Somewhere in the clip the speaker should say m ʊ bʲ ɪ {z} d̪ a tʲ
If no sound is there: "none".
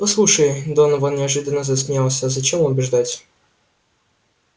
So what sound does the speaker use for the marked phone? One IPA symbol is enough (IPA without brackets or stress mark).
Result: ʐ